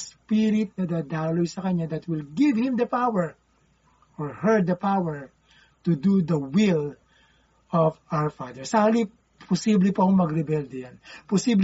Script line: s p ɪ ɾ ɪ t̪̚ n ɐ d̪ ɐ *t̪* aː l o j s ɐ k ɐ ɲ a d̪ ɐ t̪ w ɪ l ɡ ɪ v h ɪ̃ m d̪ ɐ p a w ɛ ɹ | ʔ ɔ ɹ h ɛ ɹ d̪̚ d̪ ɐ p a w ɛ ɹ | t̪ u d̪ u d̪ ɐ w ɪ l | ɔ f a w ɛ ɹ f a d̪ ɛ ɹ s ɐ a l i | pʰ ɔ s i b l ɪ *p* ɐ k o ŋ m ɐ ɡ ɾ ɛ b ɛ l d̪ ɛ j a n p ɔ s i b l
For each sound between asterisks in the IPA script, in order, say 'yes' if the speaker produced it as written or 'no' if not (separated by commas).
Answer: no, yes